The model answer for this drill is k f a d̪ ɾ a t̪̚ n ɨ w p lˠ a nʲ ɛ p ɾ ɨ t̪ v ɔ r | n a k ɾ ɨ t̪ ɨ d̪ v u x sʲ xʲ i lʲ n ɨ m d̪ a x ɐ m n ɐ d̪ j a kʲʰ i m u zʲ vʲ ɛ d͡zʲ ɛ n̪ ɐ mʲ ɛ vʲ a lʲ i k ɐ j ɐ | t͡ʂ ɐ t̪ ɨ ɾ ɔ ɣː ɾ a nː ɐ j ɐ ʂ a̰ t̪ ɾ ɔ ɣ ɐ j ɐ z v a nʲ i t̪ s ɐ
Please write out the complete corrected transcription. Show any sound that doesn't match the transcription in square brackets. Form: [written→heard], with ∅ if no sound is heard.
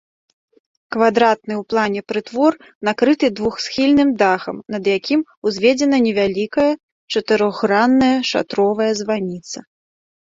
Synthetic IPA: k [f→v] a d̪ ɾ a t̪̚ n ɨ w p lˠ a nʲ ɛ p ɾ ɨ t̪ v ɔ r | n a k ɾ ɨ t̪ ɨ d̪ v u x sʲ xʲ i lʲ n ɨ m d̪ a x ɐ m n ɐ d̪ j a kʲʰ i m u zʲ vʲ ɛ d͡zʲ ɛ n̪ ɐ [mʲ→nʲ] ɛ vʲ a lʲ i k ɐ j ɐ | t͡ʂ ɐ t̪ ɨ ɾ ɔ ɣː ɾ a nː ɐ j ɐ ʂ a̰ t̪ ɾ ɔ [ɣ→v] ɐ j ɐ z v a nʲ i t̪ s ɐ